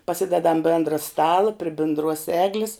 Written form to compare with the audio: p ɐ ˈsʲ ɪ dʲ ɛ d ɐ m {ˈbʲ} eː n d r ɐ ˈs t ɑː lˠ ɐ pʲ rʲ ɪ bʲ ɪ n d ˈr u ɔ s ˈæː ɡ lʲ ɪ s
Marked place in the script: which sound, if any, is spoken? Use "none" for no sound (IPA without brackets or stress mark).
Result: bʲ